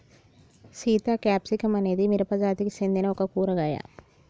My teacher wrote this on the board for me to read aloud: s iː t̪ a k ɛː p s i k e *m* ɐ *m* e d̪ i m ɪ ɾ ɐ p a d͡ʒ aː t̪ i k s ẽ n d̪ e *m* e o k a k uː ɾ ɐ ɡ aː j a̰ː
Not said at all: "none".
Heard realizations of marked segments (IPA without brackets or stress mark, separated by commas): m, n, n